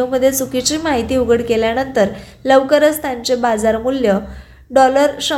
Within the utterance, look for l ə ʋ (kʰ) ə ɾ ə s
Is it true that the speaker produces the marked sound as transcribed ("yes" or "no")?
no